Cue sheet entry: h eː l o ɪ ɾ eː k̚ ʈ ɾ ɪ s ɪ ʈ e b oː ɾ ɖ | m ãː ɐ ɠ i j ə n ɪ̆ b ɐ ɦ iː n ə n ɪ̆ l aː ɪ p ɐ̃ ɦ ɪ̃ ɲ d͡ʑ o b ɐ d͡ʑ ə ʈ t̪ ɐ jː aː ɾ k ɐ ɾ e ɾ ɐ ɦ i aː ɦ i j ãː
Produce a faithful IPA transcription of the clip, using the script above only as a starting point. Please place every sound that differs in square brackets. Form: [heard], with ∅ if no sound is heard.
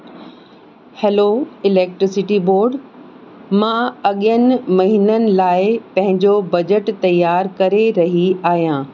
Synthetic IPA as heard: h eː l o ɪ [l] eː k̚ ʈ ɾ ɪ s ɪ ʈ [i] b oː ɾ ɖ | m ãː ɐ ɠ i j ə n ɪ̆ [m] ɐ ɦ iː n ə n ɪ̆ l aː ɪ p ɐ̃ ɦ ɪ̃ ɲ d͡ʑ o b ɐ d͡ʑ ə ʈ t̪ ɐ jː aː ɾ k ɐ ɾ e ɾ ɐ ɦ i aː ɦ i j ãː